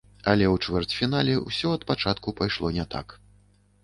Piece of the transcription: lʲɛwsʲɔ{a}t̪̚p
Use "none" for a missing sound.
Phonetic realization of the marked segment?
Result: ɐ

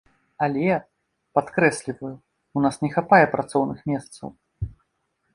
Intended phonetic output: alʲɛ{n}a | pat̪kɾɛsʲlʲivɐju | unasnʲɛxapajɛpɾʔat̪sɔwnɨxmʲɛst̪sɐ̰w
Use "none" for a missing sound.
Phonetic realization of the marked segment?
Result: none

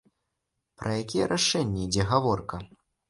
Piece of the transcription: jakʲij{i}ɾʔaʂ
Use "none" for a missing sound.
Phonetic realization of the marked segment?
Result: ɛ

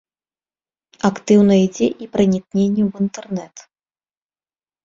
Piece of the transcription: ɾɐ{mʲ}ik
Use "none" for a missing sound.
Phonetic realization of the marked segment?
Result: nʲ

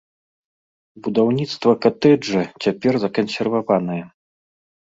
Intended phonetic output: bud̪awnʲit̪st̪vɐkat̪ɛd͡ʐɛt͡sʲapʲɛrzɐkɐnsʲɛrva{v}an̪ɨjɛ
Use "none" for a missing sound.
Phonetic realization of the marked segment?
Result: v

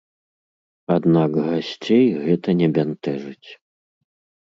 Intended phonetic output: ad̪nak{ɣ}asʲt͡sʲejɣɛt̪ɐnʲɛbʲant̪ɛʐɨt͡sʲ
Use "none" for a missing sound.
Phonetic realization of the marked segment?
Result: ɣ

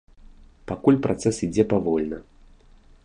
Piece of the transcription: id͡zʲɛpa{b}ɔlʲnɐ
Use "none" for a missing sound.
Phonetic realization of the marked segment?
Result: v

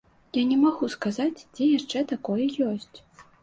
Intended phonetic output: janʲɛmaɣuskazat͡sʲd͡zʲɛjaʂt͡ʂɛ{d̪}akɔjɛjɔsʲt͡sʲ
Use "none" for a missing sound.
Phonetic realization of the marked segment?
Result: t̪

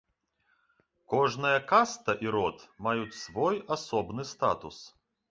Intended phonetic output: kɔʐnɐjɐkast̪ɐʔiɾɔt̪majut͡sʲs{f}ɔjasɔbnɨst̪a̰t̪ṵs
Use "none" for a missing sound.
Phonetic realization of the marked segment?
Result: v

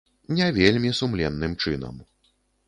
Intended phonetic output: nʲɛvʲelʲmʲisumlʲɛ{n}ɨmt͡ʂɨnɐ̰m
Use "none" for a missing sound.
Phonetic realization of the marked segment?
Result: nː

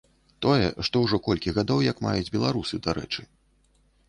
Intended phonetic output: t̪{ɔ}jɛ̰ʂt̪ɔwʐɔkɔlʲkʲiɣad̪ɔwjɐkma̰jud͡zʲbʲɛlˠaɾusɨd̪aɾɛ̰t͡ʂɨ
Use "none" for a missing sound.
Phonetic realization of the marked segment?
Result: ɔ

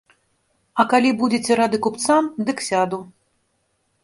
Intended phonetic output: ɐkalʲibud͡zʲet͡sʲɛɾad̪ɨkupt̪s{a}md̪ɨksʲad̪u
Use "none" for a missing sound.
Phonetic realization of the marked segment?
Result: a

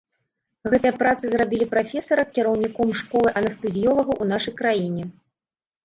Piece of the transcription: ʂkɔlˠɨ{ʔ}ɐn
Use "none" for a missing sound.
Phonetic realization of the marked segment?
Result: ʔ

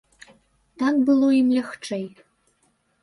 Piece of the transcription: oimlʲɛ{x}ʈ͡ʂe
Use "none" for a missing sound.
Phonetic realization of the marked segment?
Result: x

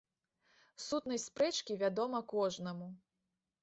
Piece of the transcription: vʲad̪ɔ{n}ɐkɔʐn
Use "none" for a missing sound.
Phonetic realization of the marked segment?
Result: m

